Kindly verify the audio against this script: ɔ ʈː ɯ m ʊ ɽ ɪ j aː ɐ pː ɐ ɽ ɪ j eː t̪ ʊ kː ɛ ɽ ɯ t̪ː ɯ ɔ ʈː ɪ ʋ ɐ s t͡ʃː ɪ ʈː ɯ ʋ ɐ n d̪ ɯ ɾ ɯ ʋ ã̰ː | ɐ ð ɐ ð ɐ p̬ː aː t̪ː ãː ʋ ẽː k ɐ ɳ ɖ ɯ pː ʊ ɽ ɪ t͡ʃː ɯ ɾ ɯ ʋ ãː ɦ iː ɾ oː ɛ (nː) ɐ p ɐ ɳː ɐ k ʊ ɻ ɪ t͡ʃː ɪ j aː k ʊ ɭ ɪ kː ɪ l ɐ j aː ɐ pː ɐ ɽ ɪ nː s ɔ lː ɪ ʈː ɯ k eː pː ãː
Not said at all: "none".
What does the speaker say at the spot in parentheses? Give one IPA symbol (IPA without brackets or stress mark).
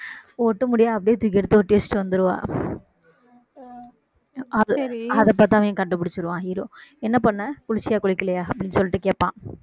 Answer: nː